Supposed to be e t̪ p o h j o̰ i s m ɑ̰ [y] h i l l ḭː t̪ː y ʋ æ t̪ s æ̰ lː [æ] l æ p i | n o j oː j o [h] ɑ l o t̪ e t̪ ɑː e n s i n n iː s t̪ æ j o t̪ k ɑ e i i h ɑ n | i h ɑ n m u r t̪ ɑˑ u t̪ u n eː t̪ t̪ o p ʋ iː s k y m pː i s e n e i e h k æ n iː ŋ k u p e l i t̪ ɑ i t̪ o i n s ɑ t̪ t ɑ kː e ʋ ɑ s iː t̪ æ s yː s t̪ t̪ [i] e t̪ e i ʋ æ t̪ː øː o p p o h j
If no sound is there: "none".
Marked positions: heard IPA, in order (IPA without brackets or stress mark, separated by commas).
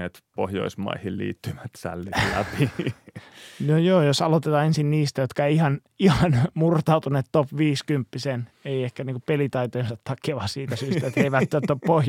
i, i, s, æ